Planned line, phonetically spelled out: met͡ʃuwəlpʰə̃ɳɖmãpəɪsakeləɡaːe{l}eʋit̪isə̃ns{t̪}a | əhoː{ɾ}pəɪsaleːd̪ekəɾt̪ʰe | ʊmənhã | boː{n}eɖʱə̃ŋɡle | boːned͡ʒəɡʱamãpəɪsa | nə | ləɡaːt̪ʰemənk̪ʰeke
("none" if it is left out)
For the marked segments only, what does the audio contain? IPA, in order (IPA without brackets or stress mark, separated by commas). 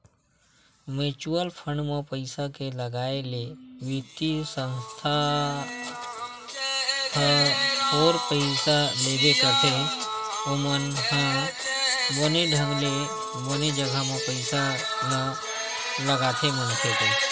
l, t̪ʰ, ɾ, n